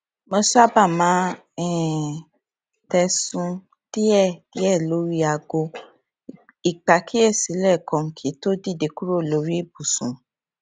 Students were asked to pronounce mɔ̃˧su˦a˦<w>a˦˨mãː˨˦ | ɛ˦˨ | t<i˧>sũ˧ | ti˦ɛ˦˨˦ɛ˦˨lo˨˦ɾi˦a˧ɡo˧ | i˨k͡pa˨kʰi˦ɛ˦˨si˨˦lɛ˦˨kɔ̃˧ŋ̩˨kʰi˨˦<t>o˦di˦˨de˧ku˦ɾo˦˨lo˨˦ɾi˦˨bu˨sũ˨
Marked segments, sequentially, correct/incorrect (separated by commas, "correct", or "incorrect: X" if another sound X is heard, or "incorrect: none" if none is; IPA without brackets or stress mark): incorrect: b, incorrect: ɛ˧, correct